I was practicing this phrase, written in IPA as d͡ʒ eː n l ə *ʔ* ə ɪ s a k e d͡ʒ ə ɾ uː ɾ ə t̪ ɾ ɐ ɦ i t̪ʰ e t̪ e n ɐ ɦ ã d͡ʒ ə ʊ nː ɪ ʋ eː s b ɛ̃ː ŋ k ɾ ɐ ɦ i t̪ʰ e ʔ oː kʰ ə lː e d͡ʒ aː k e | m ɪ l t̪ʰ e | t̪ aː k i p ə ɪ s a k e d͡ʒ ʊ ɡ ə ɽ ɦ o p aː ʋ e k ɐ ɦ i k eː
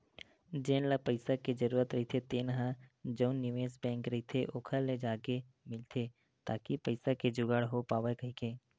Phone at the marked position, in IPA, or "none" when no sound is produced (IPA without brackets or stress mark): p